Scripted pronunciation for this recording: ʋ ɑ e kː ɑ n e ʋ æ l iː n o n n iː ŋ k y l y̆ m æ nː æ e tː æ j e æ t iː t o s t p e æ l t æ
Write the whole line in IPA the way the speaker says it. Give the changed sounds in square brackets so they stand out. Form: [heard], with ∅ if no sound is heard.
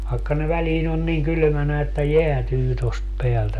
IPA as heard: ʋ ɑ e kː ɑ n e ʋ æ l iː n o n n iː ŋ k y l y̆ m æ [n] æ e tː æ j e æ t [yː] t o s t p e æ l t æ

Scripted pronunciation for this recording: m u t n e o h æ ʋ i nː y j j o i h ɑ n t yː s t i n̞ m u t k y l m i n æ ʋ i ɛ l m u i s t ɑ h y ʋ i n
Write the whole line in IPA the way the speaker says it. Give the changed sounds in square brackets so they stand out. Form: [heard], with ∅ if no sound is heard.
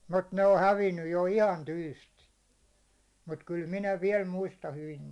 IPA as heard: m u t n e o h æ ʋ i nː y j j o i h ɑ n t yː s t i n̞ m u t k y l m i n æ ʋ i ɛ l m u i s t ɑ h y ʋ i n

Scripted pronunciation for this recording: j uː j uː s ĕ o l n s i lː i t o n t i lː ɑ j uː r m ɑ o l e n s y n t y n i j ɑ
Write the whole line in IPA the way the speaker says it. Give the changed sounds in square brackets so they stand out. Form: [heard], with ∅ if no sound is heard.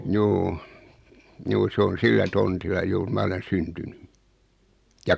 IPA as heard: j uː j uː s ĕ o [∅] n s i lː [æ] t o n t i lː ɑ j uː r m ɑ o l e n s y n t y n [y] j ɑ

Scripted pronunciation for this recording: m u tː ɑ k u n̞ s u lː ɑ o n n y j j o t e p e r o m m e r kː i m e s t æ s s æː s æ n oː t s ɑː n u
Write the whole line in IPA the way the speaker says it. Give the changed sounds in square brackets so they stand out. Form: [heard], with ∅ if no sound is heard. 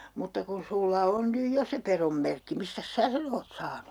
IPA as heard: m u tː ɑ k u n̞ s u lː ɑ o n n y j j o [s] e p e r o m m e r kː i m [i] s t æ s s æː s [e] n oː t s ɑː n u

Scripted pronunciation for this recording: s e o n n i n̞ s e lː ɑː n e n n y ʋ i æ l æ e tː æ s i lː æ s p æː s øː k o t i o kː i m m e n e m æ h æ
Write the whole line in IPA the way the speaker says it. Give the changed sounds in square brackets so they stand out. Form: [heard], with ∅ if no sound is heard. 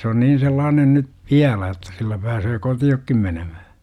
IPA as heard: s e o n n [iː] n̞ s e lː ɑː n e n n y ʋ i æ l æ e tː æ s i lː æ [∅] p æː s øː k o t i o kː i m m e n e m æ h æ

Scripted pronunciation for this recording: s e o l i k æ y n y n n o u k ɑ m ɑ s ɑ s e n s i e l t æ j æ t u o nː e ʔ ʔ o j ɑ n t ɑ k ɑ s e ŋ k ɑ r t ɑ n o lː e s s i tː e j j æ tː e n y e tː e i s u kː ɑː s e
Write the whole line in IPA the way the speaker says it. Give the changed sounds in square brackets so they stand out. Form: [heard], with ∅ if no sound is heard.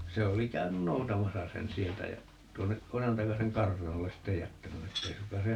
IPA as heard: s e o l i k æ y n y n n o u [t] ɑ m ɑ s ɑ s e n s i e l t æ j æ t u o nː e ʔ ʔ o j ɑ n t ɑ k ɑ s e ŋ k ɑ r t ɑ n o lː e s s i tː e j j æ tː [æ] n y e tː e i s u kː ɑː s e

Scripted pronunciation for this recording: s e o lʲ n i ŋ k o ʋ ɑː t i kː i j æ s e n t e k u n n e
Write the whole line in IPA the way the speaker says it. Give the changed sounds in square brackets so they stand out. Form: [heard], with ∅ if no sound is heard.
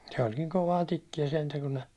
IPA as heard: s e o lʲ n i ŋ k o ʋ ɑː t i kː i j æ s e n t [æ] k u n n e

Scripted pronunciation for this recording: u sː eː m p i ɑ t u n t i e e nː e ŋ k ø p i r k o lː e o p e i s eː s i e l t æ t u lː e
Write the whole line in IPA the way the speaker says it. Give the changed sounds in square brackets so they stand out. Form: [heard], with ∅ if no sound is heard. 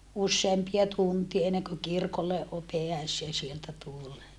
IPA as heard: u sː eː m p i ɑ t u n t i e e nː e ŋ k ø [k] i r k o lː e o p e [æ] s eː s i e l t æ t u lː e

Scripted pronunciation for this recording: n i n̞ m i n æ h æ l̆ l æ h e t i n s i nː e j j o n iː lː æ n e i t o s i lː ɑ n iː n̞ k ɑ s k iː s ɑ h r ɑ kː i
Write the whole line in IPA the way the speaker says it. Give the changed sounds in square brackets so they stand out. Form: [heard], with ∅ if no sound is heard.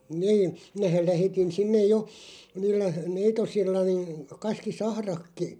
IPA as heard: n [iː] n̞ m i n æ h æ l̆ l æ h e t i n s i nː e j j o n iː lː æ n e i t o s i lː ɑ n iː n̞ k ɑ s k [i] s ɑ h r ɑ kː i

